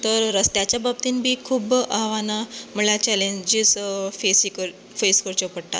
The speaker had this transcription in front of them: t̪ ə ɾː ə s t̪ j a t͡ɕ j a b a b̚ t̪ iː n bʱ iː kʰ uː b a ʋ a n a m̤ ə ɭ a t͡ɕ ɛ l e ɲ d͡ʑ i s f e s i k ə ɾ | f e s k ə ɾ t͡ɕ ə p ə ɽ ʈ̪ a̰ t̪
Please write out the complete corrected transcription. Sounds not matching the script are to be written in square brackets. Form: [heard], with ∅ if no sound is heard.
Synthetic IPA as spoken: t̪ ə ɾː ə s t̪ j a t͡ɕ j a b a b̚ t̪ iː n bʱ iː kʰ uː b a ʋ a n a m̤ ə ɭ a t͡ɕ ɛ l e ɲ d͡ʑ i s f e s i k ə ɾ | f e s k ə ɾ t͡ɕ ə p ə ɽ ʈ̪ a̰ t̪